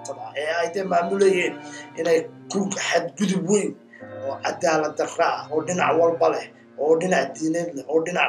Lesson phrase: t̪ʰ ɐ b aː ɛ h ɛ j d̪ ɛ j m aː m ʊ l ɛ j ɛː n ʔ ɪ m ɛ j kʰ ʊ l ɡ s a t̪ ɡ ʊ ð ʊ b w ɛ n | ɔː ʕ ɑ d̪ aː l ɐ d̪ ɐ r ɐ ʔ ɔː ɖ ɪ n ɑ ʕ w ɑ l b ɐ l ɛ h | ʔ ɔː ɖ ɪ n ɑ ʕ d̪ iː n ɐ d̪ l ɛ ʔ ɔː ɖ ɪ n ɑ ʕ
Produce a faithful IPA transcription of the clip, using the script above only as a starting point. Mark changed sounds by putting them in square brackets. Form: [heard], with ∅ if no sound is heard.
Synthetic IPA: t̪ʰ ɐ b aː ɛ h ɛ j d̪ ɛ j m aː m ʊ l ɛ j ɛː n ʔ ɪ [n] ɛ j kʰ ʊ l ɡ [ħ] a [d̪] ɡ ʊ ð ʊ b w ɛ n | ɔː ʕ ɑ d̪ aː l ɐ d̪ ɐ r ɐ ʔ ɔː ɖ ɪ n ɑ ʕ w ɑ l b ɐ l ɛ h | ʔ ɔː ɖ ɪ n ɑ ʕ d̪ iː n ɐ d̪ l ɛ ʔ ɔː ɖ ɪ n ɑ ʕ